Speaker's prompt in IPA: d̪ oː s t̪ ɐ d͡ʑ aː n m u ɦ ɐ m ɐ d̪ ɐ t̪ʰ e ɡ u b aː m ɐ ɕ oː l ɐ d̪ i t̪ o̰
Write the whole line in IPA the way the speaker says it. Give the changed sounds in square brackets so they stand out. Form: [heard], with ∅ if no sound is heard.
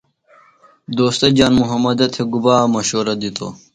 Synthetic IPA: d̪ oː s t̪ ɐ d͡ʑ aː n m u ɦ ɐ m ɐ d̪ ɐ t̪ʰ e ɡ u b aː m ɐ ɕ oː [ɾ] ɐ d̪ i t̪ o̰

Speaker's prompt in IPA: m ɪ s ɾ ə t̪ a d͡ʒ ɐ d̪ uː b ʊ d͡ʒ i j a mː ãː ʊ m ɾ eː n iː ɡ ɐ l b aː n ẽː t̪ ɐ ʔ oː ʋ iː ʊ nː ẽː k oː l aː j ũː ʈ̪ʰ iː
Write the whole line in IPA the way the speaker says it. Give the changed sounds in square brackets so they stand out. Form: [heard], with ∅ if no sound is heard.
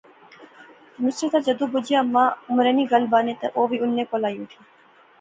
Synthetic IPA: m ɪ s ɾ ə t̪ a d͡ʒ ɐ d̪ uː b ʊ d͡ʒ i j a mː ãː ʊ m ɾ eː n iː ɡ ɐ l b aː n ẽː t̪ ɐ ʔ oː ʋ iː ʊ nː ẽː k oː l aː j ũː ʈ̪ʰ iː

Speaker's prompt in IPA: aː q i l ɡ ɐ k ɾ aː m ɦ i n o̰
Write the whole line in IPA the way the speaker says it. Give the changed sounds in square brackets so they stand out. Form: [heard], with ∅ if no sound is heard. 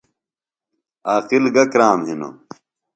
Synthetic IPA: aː q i l ɡ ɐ k ɾ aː m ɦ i n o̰

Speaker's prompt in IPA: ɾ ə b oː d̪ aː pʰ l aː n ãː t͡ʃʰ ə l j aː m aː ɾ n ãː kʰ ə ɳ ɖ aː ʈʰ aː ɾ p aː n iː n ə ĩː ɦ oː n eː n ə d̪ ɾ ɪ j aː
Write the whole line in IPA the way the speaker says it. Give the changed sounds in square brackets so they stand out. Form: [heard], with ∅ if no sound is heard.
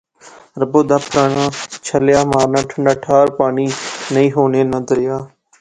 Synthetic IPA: ɾ ə b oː d̪ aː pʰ [ɾ] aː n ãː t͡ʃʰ ə l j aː m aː ɾ n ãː [ʈʰ] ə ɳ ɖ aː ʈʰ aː ɾ p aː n iː n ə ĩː ɦ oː n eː n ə d̪ ɾ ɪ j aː

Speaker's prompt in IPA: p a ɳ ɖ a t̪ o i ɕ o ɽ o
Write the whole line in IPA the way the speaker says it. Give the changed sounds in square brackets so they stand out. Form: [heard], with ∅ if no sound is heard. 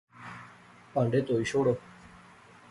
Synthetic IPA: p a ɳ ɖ [e] t̪ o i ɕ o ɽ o

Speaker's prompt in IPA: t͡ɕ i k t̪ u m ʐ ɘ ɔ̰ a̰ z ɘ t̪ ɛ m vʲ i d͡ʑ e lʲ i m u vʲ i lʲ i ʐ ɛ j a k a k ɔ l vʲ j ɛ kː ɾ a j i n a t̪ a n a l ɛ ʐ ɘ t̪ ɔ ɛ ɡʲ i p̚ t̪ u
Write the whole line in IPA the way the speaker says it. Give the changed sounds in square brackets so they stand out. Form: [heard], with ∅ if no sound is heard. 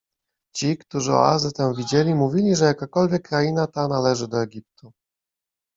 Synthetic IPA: t͡ɕ i k t̪ u [∅] ʐ ɘ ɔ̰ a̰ z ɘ t̪ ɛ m vʲ i d͡ʑ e lʲ i m u vʲ i lʲ i ʐ ɛ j a k a k ɔ l vʲ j ɛ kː ɾ a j i n a t̪ a n a l ɛ ʐ ɘ [d̪] ɔ ɛ ɡʲ i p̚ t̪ u

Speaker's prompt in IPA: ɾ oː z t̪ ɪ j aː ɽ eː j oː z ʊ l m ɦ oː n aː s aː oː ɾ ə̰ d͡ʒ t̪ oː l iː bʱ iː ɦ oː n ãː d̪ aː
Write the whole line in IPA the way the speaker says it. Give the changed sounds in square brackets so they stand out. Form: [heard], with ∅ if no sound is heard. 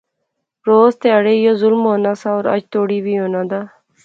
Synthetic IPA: ɾ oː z t̪ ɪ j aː ɽ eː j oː z ʊ l m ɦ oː n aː s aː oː ɾ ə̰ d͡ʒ t̪ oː [ɽ] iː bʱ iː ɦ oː n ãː d̪ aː

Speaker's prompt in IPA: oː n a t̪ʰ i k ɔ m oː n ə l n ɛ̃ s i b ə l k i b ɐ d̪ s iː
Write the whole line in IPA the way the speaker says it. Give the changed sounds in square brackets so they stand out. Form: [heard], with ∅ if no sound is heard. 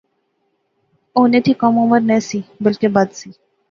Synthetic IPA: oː n [e] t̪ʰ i k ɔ m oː [m] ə [ɾ] n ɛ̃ s i b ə l k [e] b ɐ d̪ s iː

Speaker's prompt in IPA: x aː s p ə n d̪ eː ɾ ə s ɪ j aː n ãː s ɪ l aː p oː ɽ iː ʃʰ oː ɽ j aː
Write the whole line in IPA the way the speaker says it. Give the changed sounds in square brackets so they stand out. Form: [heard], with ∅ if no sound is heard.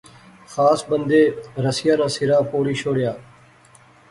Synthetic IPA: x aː s [b] ə n d̪ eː ɾ ə s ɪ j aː n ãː s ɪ [ɾ] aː p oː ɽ iː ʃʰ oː ɽ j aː

